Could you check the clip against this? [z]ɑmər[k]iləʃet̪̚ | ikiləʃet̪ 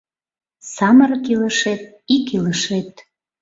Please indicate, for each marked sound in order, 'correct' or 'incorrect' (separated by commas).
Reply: incorrect, correct